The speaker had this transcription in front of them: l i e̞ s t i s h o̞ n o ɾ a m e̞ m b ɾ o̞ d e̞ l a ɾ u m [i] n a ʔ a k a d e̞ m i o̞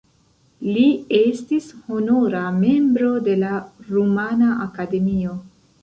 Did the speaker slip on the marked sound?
yes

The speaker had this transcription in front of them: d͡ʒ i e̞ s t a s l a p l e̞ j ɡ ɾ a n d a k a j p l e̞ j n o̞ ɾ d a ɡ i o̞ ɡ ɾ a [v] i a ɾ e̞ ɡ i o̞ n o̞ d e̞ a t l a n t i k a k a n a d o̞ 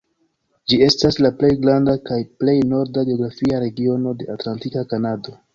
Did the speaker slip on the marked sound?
yes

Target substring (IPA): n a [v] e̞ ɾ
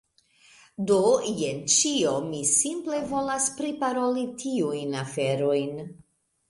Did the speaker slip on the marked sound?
yes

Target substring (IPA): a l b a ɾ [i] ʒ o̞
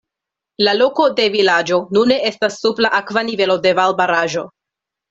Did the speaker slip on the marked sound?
yes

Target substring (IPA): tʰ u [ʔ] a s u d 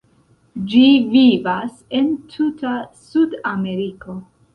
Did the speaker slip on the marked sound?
yes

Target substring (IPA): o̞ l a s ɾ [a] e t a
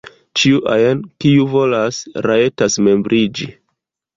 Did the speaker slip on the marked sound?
no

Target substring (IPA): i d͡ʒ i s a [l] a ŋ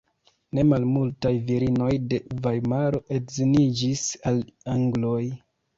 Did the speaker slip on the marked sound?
no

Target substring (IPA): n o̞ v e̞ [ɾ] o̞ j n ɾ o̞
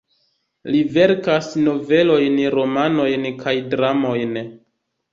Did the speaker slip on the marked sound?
yes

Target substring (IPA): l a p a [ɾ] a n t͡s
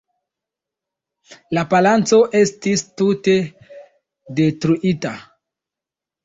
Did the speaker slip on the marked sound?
yes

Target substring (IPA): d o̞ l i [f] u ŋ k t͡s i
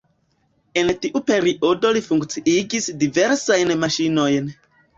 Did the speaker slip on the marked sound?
no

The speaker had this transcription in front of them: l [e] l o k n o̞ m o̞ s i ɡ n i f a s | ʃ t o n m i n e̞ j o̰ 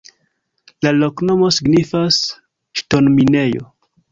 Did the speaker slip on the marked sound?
yes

